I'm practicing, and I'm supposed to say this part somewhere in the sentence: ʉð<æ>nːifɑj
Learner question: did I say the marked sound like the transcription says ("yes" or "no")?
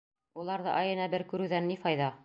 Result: yes